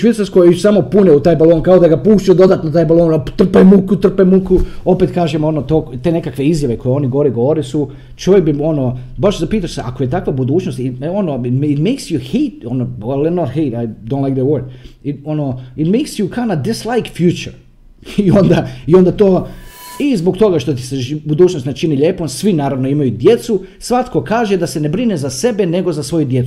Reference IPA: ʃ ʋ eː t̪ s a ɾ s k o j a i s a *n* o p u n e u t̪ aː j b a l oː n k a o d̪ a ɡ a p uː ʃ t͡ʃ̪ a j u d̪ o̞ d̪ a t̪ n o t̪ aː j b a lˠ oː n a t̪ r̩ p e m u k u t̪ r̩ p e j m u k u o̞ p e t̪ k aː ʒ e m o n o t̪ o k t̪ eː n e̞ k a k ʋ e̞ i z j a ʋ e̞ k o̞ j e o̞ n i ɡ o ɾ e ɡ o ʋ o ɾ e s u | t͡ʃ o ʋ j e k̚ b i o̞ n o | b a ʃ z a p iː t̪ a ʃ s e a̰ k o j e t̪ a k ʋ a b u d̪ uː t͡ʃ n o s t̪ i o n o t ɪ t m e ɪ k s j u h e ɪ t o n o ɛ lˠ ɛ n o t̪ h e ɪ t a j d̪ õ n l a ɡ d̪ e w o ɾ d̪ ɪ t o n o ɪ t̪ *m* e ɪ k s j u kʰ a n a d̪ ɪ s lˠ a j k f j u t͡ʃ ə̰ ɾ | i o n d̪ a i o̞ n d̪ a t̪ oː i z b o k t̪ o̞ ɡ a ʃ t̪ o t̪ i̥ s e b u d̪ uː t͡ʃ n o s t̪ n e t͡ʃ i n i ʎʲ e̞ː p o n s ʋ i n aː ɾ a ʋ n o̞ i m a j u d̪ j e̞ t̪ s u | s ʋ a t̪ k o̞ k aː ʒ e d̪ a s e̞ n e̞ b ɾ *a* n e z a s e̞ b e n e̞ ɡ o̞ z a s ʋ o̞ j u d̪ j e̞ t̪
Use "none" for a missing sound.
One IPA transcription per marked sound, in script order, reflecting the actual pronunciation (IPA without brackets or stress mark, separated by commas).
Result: m, m, i